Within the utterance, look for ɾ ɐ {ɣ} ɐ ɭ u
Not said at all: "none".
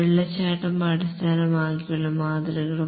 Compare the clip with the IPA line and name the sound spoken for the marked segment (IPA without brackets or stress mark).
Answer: ɣ